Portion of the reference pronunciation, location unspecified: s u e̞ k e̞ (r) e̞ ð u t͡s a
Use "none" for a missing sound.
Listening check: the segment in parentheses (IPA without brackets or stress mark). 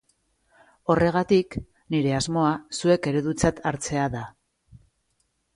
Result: ɾ